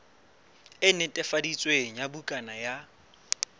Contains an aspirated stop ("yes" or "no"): no